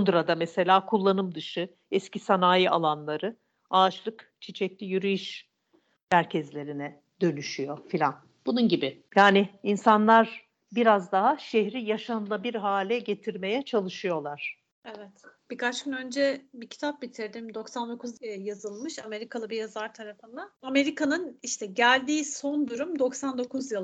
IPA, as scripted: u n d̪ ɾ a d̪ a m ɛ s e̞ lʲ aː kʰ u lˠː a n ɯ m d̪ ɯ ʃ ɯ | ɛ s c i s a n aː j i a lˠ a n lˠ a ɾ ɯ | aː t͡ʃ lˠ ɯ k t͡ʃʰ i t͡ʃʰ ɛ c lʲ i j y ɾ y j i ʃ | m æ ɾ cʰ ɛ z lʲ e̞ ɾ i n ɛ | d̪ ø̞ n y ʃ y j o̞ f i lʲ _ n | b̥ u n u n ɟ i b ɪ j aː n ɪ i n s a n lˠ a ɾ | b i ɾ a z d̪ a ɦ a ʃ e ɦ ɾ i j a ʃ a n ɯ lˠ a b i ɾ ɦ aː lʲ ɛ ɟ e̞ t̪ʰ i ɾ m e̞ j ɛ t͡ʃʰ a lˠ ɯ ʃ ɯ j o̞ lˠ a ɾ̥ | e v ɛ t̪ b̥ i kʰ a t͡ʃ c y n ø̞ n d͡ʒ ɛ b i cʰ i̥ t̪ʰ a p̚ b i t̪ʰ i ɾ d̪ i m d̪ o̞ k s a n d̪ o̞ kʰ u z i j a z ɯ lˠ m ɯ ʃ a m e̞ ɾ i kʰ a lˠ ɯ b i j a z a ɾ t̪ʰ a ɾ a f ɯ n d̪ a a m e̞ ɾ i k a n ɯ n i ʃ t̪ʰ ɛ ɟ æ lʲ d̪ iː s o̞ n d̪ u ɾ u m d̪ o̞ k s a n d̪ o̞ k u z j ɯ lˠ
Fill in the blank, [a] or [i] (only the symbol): a